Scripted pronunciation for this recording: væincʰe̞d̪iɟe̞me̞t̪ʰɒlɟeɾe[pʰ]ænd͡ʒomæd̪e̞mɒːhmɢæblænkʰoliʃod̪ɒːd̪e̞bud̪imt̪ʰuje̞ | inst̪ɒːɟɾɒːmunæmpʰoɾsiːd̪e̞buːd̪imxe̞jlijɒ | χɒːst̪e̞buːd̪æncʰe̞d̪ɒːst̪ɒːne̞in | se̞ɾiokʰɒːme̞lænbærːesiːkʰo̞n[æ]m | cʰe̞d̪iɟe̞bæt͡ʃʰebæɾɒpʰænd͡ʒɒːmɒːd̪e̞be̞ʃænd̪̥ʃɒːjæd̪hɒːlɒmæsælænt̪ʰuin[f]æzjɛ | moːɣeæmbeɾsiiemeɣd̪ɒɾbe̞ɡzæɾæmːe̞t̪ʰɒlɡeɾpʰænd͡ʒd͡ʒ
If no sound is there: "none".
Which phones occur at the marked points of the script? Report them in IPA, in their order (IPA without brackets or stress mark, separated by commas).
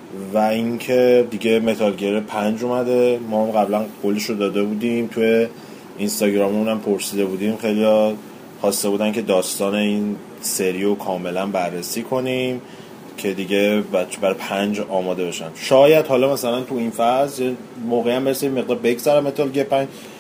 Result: pʰ, i, f